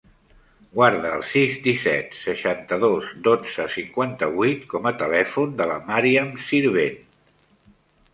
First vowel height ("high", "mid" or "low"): low